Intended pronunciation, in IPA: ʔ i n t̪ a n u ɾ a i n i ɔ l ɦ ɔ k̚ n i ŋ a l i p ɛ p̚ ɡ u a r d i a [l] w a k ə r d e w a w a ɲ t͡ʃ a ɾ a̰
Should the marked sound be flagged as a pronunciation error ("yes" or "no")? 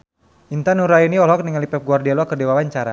no